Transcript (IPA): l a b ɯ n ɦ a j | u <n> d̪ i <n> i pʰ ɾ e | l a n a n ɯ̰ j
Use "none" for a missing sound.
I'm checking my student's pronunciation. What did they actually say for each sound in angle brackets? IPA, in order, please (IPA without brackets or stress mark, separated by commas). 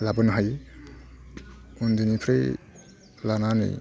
n, n